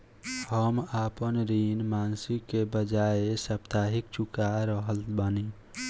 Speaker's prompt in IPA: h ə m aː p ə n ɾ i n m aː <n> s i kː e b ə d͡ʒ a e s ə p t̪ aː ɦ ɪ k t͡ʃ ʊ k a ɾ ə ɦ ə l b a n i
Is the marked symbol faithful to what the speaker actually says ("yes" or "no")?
yes